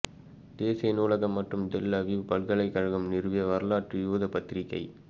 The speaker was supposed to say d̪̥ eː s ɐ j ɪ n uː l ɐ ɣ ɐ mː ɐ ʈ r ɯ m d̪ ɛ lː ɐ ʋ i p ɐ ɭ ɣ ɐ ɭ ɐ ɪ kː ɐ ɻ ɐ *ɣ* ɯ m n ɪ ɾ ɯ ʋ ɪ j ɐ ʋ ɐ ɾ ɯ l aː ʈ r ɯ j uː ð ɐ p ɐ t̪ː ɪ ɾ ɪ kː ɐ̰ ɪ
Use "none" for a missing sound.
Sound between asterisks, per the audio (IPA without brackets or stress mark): ɣ